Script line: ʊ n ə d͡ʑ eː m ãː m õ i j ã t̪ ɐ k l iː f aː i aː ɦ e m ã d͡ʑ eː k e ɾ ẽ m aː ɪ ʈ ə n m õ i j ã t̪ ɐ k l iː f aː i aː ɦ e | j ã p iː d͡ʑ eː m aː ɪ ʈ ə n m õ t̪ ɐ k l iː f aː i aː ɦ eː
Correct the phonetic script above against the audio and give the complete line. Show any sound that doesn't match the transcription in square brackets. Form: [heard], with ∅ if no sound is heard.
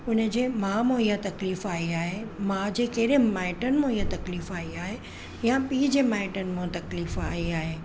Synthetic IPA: ʊ n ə d͡ʑ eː m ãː m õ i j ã t̪ ɐ k l iː f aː i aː ɦ e m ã d͡ʑ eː k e ɾ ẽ m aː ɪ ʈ ə n m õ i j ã t̪ ɐ k l iː f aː i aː ɦ e | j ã p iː d͡ʑ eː m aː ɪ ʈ ə n m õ t̪ ɐ k l iː f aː i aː ɦ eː

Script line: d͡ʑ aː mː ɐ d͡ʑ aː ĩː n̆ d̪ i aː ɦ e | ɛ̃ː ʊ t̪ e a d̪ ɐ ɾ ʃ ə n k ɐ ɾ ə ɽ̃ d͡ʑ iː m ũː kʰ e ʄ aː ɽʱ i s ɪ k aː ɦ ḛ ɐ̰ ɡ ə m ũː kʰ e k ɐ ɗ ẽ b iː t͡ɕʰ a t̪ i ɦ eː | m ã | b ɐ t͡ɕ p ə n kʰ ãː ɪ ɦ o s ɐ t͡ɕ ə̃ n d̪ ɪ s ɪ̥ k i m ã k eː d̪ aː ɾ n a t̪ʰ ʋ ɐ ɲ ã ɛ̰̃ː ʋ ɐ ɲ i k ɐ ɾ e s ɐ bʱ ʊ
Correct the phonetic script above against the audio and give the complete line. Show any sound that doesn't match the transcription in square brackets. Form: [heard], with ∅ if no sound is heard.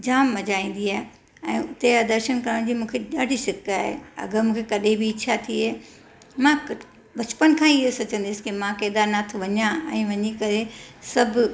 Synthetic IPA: d͡ʑ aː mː ɐ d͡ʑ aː ĩː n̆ d̪ i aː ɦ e | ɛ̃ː ʊ t̪ e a d̪ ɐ ɾ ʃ ə n k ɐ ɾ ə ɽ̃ d͡ʑ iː m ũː kʰ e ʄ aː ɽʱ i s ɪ k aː ɦ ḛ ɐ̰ ɡ ə m ũː kʰ e k ɐ ɗ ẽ b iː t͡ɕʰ a [t̪ʰ] i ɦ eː | m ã | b ɐ t͡ɕ p ə n kʰ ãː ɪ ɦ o s ɐ t͡ɕ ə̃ n d̪ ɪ s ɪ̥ k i m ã k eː d̪ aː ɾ n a t̪ʰ ʋ ɐ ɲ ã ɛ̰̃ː ʋ ɐ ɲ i k ɐ ɾ e s ɐ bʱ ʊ

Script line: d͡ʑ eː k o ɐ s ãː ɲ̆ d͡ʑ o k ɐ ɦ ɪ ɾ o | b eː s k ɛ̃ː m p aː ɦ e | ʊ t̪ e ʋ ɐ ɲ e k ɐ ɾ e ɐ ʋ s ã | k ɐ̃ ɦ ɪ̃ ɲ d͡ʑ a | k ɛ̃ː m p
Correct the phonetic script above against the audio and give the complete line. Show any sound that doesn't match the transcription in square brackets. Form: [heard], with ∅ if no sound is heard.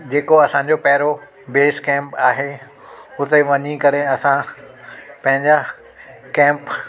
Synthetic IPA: d͡ʑ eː k o ɐ s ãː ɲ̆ d͡ʑ o [p] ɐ ɦ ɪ ɾ o | b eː s k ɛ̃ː m p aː ɦ e | ʊ t̪ e ʋ ɐ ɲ [i] k ɐ ɾ e ɐ [∅] s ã | [p] ɐ̃ ɦ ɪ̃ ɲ d͡ʑ a | k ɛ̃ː m p

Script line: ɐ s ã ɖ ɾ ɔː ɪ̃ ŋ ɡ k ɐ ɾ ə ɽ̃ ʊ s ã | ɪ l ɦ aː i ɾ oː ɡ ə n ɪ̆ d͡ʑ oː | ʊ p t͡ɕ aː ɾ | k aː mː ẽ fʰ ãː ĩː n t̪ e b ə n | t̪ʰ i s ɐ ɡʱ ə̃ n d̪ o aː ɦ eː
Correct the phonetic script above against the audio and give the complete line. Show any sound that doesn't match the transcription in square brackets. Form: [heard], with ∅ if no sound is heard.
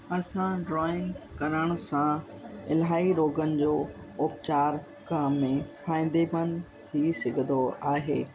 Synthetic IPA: ɐ s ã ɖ ɾ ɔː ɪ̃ ŋ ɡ k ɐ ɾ ə ɽ̃ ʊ s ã | ɪ l ɦ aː i ɾ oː ɡ ə n ɪ̆ d͡ʑ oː | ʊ p t͡ɕ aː ɾ | k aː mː ẽ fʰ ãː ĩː n [d̪] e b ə n | t̪ʰ i s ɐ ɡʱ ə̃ n d̪ o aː ɦ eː

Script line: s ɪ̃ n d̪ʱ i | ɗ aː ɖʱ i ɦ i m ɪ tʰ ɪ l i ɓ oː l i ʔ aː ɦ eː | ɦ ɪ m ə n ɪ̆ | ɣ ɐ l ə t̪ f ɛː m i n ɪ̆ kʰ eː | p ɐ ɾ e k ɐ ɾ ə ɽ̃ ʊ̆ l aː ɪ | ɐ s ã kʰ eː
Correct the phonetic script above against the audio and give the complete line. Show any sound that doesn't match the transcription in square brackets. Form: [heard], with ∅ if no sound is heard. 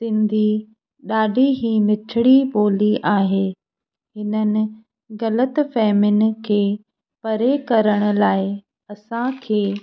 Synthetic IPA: s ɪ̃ n d̪ʱ i | ɗ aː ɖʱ i ɦ i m ɪ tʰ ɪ [ɽ] i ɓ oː l i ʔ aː ɦ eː | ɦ ɪ [n] ə n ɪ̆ | ɣ ɐ l ə t̪ f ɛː m [ɪ] n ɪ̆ kʰ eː | p ɐ ɾ e k ɐ ɾ ə ɽ̃ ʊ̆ l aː ɪ | ɐ s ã kʰ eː

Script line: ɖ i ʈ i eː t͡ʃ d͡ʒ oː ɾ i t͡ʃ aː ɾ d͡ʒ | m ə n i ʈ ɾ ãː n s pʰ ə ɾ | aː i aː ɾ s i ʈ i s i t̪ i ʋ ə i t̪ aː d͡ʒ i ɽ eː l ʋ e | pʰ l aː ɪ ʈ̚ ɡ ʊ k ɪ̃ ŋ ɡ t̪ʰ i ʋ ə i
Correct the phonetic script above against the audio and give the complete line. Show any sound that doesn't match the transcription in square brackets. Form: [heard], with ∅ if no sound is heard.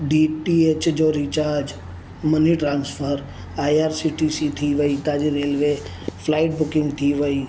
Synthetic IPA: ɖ i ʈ i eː t͡ʃ d͡ʒ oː ɾ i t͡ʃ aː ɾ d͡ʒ | m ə n i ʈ ɾ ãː n s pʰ ə ɾ | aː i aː ɾ s i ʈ i s i [t̪ʰ] i ʋ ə i t̪ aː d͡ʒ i [ɾ] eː l ʋ e | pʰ l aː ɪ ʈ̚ [b] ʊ k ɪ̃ ŋ ɡ t̪ʰ i ʋ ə i

